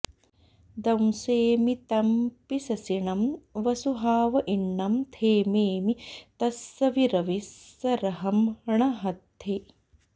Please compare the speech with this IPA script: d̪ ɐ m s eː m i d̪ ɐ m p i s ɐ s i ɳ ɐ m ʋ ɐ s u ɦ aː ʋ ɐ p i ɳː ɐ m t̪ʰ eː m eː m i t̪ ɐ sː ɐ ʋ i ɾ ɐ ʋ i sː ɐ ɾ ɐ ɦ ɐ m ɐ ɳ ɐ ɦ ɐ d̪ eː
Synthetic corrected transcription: d̪ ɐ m s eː m i t̪ ɐ m p i s ɐ s i ɳ ɐ m ʋ ɐ s u ɦ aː ʋ ɐ ʔ i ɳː ɐ m t̪ʰ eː m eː m i t̪ ɐ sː ɐ ʋ i ɾ ɐ ʋ i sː ɐ ɾ ɐ ɦ ɐ m ɐ ɳ ɐ ɦ ɐ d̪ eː